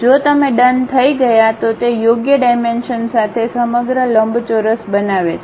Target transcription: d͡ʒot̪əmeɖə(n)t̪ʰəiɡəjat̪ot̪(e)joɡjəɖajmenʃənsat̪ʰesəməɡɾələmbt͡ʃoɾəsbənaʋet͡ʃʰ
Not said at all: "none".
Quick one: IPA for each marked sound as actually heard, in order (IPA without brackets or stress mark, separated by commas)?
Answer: n, e